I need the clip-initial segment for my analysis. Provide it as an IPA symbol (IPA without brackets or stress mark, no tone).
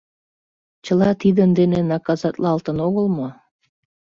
t͡ɕ